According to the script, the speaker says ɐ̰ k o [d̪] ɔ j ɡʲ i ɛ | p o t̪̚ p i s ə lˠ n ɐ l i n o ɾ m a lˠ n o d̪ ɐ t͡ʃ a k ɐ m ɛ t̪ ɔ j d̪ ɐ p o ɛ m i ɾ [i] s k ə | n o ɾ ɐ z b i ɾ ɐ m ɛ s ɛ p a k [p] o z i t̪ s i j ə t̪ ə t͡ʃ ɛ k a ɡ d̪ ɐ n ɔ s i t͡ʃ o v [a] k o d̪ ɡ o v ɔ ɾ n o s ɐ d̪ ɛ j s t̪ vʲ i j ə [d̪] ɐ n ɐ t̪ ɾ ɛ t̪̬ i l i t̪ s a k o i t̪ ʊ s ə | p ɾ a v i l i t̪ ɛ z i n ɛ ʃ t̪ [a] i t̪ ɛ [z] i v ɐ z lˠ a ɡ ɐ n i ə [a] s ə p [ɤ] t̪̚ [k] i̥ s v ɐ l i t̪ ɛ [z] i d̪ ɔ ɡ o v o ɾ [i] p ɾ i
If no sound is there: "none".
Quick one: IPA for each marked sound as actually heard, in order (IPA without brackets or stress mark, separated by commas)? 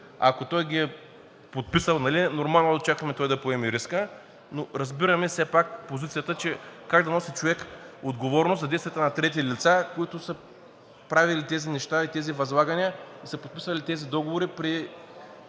t̪, i, p, ɛ, t̪, a, z, i, o, p, z, i